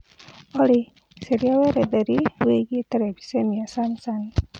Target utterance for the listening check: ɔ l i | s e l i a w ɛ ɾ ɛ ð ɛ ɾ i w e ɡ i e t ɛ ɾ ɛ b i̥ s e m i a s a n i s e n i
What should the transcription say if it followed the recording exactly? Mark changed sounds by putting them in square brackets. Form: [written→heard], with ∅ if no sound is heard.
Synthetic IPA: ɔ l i | s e [l→ɾ] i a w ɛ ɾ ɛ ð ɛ ɾ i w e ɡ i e t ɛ ɾ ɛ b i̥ s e m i a s a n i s [e→a] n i